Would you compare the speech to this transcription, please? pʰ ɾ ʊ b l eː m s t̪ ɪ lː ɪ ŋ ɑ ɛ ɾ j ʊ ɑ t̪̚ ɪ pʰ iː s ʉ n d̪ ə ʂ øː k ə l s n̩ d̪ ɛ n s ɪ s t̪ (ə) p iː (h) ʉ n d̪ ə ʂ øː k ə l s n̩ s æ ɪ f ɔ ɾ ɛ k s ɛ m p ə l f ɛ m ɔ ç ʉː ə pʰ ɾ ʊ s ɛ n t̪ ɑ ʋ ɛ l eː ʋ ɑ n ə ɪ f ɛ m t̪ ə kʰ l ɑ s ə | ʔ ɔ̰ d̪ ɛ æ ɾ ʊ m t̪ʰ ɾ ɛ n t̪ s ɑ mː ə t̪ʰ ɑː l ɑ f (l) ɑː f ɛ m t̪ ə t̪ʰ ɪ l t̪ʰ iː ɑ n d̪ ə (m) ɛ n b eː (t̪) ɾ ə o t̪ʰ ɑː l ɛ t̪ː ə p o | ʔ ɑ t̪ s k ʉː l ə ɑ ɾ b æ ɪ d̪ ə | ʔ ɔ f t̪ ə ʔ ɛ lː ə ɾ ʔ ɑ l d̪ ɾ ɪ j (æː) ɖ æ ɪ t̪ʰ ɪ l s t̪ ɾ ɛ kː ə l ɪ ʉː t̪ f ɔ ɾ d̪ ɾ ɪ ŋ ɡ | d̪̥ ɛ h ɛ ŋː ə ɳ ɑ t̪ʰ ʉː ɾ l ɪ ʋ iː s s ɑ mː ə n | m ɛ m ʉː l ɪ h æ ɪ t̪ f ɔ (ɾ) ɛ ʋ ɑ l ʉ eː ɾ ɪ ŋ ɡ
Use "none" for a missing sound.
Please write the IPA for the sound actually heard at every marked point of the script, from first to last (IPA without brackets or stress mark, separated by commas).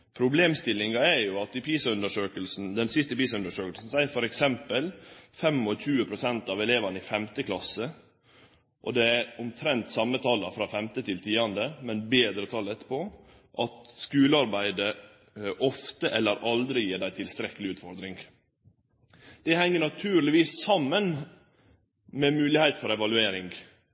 ə, s, ɾ, m, d̪, iː, ɾ